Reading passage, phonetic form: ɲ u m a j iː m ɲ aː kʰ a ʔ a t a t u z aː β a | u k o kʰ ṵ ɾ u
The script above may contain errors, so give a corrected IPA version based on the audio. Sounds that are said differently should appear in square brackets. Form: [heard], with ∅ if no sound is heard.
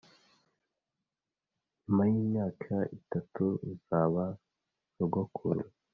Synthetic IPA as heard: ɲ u m a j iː m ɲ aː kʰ a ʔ [i] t a t u z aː β a | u [ɡ] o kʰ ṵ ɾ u